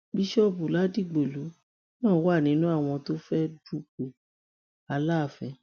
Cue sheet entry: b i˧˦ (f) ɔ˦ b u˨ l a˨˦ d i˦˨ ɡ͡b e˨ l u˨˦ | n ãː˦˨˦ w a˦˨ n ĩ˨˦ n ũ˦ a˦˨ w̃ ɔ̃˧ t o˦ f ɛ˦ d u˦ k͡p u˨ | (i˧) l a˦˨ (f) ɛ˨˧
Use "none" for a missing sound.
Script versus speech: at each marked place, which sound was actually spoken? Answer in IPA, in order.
ʃ, a˧, f

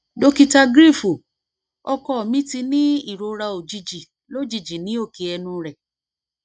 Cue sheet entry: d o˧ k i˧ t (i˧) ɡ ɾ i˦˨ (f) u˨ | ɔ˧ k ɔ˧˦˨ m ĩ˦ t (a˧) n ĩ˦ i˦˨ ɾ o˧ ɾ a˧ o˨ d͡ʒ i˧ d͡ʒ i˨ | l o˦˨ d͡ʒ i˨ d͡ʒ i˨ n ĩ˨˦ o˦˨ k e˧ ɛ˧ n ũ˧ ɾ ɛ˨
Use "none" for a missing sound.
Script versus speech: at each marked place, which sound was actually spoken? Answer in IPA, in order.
a˧, f, i˧

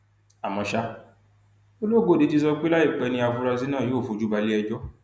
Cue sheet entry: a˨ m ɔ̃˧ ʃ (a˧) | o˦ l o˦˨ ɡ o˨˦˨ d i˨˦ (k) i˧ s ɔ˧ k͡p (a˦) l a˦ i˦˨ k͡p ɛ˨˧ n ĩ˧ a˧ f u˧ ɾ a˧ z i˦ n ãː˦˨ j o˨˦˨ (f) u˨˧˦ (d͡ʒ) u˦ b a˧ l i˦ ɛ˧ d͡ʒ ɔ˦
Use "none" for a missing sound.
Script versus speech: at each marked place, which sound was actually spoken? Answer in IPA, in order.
a˧, t, e˦, f, d͡ʒ

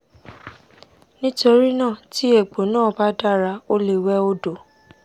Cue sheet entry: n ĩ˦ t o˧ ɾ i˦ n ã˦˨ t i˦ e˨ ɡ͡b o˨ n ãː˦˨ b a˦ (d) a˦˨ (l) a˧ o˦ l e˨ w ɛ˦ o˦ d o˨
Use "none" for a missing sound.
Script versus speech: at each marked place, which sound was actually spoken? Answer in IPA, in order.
d, ɾ

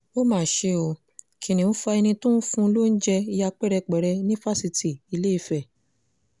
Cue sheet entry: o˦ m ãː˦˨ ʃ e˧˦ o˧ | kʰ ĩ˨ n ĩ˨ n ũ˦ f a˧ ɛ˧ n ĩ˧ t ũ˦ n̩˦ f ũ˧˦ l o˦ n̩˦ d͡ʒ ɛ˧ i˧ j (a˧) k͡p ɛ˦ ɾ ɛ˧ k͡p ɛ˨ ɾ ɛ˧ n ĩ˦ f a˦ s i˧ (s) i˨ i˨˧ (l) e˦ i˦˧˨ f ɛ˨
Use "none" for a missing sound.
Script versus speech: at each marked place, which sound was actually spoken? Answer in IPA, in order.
a˧, t, l

